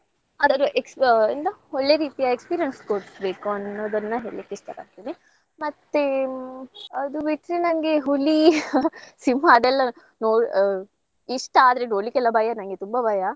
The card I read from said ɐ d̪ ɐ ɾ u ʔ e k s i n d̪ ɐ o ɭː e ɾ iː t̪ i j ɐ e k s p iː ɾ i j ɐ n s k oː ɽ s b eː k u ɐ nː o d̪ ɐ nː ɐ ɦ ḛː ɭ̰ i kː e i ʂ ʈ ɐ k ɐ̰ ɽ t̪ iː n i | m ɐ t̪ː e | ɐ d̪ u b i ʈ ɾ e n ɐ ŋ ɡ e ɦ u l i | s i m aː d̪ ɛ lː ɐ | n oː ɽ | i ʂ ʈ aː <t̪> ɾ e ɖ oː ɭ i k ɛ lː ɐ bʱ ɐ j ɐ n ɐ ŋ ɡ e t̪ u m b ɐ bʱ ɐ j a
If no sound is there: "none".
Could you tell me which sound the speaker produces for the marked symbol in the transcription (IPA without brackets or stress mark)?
d̪